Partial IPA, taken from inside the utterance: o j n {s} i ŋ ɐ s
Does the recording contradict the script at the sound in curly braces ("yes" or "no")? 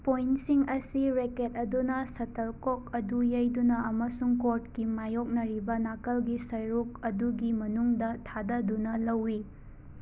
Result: no